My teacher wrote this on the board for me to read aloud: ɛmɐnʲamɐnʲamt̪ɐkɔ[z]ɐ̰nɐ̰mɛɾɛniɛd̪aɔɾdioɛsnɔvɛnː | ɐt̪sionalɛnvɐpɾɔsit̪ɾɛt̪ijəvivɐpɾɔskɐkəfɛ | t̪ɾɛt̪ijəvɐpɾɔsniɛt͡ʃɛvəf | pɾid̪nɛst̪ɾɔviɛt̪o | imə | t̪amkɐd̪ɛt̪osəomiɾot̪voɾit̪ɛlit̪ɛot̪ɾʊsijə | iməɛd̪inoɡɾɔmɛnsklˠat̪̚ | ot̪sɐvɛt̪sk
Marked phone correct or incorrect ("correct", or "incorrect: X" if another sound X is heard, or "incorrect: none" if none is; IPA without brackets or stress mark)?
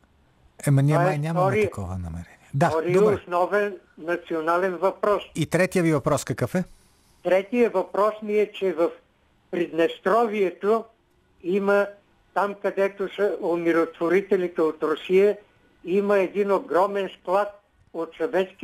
incorrect: v